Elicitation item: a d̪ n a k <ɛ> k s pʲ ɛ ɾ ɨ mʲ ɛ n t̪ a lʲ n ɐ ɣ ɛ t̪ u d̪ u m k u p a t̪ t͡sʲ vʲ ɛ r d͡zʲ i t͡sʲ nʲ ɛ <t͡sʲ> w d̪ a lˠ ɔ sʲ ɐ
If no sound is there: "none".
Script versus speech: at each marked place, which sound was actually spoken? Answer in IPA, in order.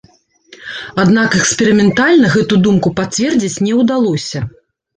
ɛ, none

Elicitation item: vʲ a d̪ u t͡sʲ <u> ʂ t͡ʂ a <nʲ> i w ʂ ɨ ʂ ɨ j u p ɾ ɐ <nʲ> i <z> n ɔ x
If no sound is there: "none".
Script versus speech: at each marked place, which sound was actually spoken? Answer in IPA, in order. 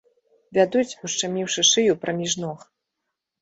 u, mʲ, mʲ, ʐ

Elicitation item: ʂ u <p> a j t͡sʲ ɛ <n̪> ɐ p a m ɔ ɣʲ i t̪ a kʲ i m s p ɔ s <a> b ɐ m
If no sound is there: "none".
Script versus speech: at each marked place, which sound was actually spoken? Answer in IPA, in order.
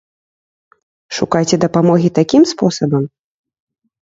k, d̪, ɐ

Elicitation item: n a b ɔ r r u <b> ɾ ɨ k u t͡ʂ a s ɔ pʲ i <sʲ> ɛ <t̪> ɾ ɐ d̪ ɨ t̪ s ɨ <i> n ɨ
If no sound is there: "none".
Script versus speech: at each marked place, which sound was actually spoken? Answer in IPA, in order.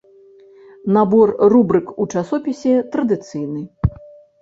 b, sʲ, t̪, j

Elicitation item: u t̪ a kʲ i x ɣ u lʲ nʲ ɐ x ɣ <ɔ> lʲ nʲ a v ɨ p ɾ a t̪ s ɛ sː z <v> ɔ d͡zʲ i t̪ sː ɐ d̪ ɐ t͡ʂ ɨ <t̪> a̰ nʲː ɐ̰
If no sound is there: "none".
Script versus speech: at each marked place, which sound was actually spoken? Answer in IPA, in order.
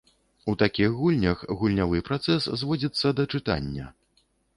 u, v, t̪

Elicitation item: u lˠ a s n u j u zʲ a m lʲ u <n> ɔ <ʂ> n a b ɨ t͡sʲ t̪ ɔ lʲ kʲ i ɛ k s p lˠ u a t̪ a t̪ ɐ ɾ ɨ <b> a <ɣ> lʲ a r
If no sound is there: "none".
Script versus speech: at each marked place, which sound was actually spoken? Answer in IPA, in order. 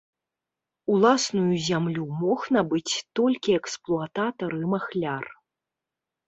m, x, m, x

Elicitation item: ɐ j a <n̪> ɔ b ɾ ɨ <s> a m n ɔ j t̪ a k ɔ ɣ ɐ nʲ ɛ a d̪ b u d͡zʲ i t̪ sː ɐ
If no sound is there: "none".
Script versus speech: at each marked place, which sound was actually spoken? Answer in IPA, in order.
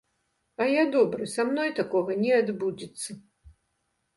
d̪, s

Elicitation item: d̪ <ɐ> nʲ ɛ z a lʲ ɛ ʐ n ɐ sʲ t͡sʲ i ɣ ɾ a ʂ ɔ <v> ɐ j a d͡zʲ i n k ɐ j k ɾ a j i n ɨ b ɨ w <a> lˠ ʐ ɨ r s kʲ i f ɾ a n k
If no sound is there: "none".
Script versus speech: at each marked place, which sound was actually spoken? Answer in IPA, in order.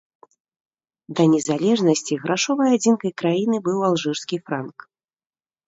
ɐ, v, a

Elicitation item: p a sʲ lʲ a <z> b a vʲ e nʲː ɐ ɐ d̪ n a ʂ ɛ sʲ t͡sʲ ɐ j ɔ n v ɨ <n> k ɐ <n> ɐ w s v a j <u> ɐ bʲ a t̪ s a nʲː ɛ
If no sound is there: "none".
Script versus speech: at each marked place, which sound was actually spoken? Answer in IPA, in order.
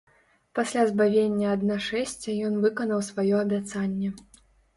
z, none, n, ɔ

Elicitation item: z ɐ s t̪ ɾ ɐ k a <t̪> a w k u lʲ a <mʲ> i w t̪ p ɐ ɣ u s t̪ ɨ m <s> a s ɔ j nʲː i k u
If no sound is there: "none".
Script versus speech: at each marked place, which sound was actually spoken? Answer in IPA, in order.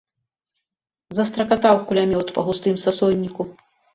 t̪, mʲ, s

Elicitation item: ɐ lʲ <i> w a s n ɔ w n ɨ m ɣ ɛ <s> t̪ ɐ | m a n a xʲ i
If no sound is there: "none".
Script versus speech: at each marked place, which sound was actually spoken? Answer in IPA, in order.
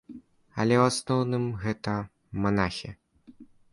ɛ, none

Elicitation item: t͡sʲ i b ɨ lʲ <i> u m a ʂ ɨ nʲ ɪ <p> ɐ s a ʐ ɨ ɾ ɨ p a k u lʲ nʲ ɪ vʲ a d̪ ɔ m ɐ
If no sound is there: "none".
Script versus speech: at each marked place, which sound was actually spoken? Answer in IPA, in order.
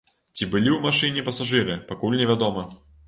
i, p

